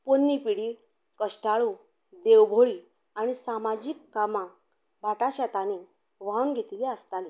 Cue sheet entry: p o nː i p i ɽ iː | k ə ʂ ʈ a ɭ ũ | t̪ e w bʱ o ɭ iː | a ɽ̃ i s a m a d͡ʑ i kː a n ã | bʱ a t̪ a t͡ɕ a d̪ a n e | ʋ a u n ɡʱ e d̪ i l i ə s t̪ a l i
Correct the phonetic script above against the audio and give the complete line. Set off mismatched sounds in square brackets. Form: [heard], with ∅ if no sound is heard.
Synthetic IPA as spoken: p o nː i p i ɽ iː | k ə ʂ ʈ a ɭ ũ | [d̪] e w bʱ o ɭ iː | a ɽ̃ i s a m a d͡ʑ i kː a [m] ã | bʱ a t̪ a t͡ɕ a [t̪] a n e | ʋ a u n ɡʱ e [t̪] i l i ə s t̪ a l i